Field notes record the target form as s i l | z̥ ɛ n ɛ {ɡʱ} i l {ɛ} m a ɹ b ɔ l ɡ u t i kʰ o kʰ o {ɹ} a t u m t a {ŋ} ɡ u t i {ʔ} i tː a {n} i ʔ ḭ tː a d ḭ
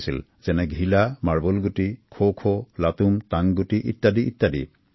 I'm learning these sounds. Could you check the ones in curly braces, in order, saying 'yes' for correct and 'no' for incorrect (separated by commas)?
yes, no, no, yes, yes, no